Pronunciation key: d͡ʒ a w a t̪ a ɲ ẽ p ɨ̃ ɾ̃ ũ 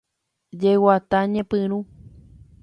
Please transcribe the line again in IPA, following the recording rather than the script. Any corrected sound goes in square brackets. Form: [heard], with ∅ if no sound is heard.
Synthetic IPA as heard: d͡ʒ [e] w a t̪ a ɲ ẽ p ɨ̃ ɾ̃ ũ